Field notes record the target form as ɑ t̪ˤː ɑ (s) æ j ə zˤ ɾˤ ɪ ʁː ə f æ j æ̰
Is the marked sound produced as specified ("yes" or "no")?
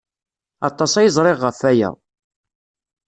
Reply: yes